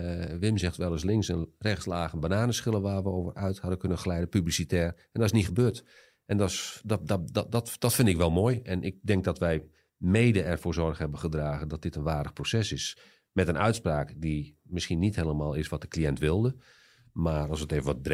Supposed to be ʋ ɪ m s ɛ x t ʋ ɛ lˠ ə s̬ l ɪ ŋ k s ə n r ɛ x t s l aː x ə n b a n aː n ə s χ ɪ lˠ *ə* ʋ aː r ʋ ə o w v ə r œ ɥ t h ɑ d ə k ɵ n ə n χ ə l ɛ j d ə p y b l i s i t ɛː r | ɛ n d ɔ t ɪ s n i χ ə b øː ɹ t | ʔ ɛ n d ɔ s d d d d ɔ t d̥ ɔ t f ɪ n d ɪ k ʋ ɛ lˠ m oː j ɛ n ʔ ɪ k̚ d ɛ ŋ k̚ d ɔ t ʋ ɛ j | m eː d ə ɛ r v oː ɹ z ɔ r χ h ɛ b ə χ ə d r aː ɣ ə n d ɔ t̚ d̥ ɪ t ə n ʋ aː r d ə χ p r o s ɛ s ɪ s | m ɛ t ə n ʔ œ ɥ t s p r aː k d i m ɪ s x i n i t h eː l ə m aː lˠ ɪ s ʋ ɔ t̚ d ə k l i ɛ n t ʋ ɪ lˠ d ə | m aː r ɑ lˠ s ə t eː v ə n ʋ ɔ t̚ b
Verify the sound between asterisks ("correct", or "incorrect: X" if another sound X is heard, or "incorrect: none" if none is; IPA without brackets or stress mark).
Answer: correct